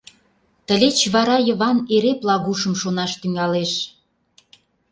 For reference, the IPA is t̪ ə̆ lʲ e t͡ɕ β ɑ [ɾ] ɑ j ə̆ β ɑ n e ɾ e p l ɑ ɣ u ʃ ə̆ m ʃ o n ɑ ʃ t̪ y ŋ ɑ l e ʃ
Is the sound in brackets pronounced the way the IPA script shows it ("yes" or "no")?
yes